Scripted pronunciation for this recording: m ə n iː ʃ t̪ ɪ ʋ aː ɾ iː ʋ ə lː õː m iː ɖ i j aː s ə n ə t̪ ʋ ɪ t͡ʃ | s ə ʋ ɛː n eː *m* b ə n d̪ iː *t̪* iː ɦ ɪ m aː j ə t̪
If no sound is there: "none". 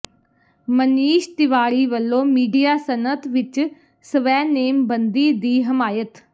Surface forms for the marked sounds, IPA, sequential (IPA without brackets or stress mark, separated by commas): m, d̪